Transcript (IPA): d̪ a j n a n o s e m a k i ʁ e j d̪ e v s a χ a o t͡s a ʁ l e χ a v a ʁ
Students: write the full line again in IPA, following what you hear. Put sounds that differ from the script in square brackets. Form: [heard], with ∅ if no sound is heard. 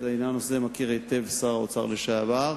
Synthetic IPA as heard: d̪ a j n a n o s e m a k i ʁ e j [t̪] e v s a [ʁ] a o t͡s a ʁ l e [ʃ] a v a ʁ